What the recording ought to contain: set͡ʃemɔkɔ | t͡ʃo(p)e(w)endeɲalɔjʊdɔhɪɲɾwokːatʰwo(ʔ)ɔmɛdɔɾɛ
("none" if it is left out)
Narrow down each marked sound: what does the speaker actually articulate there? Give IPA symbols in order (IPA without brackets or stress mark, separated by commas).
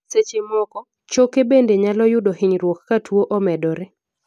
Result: k, b, ʔ